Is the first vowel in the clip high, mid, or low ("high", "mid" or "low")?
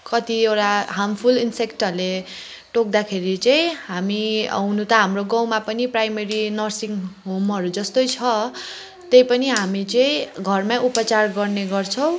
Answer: mid